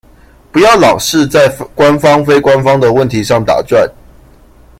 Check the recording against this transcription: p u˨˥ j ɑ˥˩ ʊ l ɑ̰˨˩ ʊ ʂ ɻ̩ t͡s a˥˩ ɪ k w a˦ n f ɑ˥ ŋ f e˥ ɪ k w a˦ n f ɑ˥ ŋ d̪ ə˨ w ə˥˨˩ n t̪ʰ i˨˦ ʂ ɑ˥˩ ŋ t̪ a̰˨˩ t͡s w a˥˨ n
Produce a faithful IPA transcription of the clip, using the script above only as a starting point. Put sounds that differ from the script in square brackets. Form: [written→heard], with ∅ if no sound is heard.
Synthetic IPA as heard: p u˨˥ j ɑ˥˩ ʊ l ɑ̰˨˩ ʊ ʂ ɻ̩ t͡s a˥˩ ɪ k w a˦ n f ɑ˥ ŋ f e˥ ɪ k w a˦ n f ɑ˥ ŋ d̪ ə˨ w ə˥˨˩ n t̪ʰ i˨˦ ʂ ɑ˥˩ ŋ t̪ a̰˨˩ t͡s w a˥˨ n